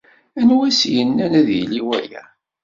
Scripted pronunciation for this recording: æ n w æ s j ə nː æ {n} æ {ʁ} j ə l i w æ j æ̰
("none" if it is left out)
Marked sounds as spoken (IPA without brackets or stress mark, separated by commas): n, ð